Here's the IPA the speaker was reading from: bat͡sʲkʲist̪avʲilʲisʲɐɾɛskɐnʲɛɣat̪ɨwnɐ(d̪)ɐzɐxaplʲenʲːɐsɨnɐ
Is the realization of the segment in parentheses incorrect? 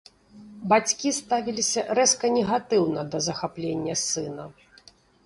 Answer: no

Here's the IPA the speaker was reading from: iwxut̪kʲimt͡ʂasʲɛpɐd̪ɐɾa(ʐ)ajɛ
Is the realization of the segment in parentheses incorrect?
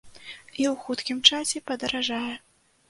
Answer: no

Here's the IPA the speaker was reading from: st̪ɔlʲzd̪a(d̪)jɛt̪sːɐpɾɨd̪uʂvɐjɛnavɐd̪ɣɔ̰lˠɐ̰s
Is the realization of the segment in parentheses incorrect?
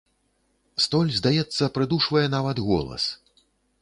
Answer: yes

